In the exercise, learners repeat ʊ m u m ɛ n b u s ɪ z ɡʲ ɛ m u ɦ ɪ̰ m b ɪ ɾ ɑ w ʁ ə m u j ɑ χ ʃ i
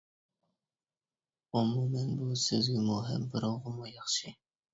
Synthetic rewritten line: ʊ m u m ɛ n b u s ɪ z ɡʲ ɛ m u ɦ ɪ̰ m b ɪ ɾ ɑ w ʁ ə m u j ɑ χ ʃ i

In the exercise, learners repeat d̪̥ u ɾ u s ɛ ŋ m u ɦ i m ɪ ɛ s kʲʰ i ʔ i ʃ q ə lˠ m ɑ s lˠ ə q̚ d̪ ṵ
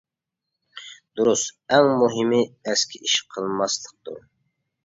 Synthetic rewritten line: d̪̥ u ɾ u s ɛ ŋ m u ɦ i m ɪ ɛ s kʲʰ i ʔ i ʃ qʰ ə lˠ m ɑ s lˠ ə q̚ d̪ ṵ

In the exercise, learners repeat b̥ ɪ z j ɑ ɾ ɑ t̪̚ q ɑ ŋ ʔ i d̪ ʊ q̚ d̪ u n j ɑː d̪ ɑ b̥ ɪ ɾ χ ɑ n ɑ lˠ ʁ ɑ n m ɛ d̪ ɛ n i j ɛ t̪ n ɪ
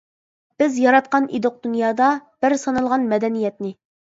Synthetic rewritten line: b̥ ɪ z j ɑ ɾ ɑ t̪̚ q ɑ n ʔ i d̪ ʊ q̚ d̪ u n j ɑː d̪ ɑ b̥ ɪ ɾ s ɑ n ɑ lˠ ʁ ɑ n m ɛ d̪ ɛ n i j ɛ t̪ n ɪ

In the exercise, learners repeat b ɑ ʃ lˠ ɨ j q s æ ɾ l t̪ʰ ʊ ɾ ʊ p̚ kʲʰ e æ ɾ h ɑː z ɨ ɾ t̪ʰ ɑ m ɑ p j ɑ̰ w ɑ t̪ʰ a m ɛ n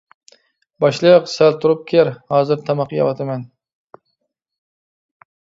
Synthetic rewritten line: b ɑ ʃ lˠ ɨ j q s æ l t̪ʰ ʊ ɾ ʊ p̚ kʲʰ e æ ɾ h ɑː z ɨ ɾ t̪ʰ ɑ m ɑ q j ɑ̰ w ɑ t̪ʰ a m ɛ n

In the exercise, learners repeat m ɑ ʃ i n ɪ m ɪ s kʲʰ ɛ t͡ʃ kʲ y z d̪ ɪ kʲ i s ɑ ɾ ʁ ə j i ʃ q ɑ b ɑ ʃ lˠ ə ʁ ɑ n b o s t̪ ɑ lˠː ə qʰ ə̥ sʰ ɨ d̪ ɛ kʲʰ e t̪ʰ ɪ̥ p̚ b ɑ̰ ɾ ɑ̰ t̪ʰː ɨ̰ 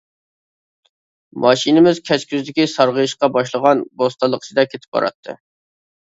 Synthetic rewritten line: m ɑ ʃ i n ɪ m ɪ z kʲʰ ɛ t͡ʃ kʲ y z d̪ ɪ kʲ i s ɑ ɾ ʁ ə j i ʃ q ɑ b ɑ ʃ lˠ ə ʁ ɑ n b o s t̪ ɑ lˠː ə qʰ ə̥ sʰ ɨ d̪ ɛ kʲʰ e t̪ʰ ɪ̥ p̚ b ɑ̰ ɾ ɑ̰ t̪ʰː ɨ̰

